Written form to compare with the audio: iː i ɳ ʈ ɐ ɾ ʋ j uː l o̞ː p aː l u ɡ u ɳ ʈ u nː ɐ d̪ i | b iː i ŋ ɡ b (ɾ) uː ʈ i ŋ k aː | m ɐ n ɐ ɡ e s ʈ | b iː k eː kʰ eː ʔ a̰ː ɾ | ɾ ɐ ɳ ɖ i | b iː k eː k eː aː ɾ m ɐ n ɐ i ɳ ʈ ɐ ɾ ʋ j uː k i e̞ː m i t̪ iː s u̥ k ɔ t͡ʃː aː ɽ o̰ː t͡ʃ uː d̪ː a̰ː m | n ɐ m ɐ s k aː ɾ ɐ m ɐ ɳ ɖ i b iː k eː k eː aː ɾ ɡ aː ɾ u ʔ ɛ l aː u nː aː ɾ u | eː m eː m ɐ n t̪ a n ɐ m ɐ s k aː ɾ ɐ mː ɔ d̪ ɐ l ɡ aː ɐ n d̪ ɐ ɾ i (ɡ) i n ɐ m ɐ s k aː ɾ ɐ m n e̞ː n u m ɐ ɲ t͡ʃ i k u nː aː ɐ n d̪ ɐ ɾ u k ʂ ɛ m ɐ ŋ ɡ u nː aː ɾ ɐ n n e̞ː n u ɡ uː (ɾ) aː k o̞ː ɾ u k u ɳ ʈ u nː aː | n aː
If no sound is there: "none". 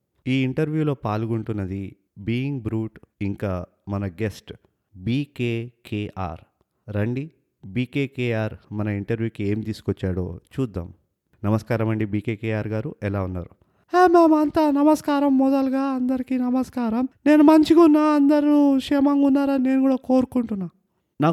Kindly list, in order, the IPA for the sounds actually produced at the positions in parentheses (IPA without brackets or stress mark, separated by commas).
ɾ, k, ɽ